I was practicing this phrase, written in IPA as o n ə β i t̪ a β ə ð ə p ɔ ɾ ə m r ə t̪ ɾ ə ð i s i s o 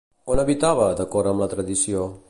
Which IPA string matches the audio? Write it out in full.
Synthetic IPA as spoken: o n ə β i t̪ a β ə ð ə k ɔ ɾ ə m l ə t̪ ɾ ə ð i s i o